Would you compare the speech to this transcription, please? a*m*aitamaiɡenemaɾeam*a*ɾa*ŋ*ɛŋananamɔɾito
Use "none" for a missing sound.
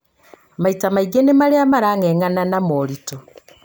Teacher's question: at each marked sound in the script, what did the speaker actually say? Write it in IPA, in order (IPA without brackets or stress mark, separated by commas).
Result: m, a, ŋ